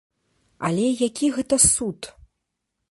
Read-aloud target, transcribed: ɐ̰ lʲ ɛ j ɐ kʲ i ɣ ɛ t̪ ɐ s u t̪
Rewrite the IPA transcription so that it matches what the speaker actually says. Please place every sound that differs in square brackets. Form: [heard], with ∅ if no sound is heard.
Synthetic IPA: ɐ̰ lʲ ɛ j [a] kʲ i ɣ ɛ t̪ ɐ s u t̪